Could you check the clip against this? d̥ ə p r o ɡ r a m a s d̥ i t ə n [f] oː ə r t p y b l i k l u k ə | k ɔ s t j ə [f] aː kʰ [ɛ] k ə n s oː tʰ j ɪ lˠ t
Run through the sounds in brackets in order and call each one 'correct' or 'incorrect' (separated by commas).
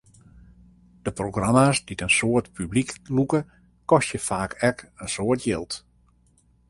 incorrect, correct, correct